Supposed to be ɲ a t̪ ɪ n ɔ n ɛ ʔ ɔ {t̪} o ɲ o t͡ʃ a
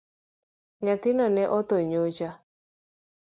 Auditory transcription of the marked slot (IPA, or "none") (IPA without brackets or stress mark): t̪